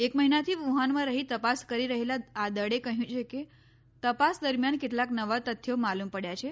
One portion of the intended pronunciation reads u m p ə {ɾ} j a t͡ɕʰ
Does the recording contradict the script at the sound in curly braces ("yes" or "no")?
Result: yes